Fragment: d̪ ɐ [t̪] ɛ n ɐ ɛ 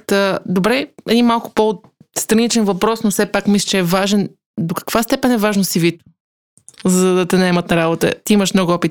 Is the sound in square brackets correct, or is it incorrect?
correct